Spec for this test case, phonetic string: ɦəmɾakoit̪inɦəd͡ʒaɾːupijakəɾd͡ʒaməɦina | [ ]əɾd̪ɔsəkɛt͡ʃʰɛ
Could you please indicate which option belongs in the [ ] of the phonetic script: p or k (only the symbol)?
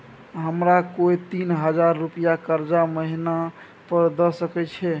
p